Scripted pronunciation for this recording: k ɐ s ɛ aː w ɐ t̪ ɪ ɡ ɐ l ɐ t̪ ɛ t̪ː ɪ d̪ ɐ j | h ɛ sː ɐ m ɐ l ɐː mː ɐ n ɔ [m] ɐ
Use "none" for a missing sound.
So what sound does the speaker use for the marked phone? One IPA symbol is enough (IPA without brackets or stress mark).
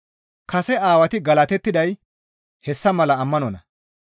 n